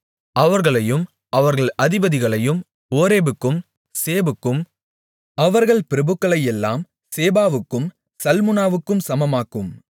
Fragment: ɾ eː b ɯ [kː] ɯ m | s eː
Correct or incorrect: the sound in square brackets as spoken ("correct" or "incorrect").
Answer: correct